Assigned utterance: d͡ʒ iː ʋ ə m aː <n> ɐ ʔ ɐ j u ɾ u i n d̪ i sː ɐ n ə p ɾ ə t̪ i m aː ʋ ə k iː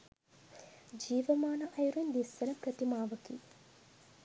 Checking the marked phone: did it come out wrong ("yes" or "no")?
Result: no